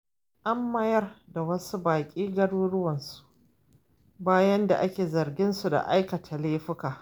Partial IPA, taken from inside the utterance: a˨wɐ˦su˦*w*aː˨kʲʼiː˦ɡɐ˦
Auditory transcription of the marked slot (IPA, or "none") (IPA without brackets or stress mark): b